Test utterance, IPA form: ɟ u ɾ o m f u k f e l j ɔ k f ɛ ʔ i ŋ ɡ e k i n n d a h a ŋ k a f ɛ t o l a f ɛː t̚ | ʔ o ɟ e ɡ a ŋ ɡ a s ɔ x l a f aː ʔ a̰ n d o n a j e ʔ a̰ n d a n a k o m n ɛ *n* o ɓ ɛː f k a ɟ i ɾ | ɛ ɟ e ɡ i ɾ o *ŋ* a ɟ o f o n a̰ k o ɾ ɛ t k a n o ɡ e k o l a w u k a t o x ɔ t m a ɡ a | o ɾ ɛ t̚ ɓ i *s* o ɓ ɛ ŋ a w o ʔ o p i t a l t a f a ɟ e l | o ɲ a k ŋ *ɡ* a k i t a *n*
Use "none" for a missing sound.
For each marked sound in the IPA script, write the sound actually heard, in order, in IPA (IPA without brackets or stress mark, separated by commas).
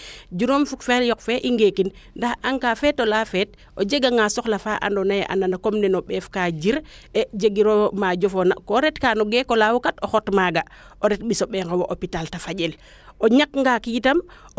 n, m, s, ɡ, m